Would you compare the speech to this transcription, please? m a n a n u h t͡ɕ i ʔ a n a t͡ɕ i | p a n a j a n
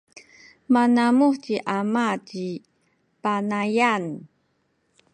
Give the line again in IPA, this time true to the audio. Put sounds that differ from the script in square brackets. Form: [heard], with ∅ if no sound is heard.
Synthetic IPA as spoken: m a n a [m] u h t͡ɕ i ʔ a [m] a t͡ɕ i | p a n a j a n